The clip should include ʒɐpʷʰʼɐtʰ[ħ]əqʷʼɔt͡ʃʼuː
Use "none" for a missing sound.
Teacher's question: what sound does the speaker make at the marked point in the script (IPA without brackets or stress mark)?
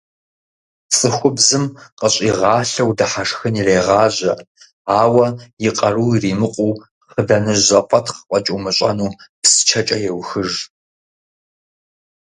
χ